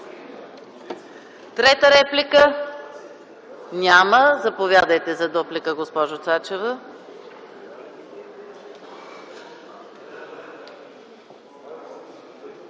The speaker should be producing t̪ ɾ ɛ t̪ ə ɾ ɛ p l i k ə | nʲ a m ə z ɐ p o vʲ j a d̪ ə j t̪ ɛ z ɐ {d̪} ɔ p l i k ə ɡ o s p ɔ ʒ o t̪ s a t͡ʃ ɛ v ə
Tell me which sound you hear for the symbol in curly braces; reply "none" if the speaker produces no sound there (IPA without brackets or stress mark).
d̪